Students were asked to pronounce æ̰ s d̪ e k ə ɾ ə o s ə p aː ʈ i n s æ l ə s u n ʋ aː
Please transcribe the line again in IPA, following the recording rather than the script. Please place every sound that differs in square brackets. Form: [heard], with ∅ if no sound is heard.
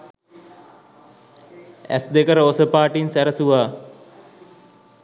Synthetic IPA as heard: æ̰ s d̪ e k ə ɾ ə o s ə p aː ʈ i n s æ [ɾ] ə s u [∅] ʋ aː